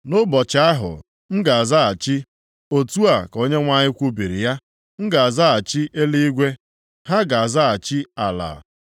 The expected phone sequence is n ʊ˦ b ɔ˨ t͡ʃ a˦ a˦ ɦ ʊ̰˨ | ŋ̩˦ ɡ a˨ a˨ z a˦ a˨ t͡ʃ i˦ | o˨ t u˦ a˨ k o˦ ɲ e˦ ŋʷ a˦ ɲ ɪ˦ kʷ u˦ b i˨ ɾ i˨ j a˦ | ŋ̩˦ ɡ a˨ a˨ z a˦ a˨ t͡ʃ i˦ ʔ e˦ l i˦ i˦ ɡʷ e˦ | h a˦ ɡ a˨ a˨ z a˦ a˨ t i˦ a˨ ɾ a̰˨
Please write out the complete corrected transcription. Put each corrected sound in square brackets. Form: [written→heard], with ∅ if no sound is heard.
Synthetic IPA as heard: n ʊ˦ b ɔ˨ t͡ʃ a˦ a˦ ɦ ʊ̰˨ | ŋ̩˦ ɡ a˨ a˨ z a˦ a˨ t͡ʃ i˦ | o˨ t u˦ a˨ k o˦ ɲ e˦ ŋʷ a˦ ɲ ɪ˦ kʷ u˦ b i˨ ɾ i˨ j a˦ | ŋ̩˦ ɡ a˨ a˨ z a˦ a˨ t͡ʃ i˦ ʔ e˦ l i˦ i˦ ɡʷ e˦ | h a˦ ɡ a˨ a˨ z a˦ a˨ [t→t͡ʃ] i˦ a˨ [ɾ→l] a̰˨